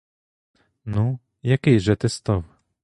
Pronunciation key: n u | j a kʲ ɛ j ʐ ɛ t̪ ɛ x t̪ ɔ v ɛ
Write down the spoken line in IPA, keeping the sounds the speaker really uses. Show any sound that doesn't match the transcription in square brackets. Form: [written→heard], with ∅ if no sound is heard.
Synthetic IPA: n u | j a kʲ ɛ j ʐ ɛ t̪ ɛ [x→s] t̪ ɔ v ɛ